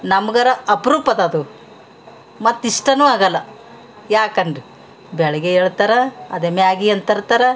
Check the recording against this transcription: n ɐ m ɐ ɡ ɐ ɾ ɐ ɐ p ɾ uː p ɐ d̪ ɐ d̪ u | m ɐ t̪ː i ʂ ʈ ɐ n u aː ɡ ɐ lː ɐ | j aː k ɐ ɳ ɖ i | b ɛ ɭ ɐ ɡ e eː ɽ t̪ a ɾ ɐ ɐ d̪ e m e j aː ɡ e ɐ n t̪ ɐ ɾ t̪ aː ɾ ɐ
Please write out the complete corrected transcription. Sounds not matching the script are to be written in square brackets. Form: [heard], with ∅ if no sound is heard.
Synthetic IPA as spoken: n ɐ m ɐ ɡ ɐ ɾ ɐ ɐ p ɾ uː p ɐ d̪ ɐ d̪ u | m ɐ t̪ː i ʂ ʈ ɐ n u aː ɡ ɐ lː ɐ | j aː k ɐ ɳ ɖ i | b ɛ ɭ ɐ ɡ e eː [ɭ] t̪ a ɾ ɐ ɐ d̪ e m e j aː ɡ [i] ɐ n t̪ ɐ ɾ t̪ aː ɾ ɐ